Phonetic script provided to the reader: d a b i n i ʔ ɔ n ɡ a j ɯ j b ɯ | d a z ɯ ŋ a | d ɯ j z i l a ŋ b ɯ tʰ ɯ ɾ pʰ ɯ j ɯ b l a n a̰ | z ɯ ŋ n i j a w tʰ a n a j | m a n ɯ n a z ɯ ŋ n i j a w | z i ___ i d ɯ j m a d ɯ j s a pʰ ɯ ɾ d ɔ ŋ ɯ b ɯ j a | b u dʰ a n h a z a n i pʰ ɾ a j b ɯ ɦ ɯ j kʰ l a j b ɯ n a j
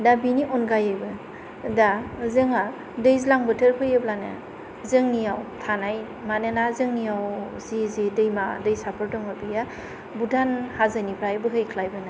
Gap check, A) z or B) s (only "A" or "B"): A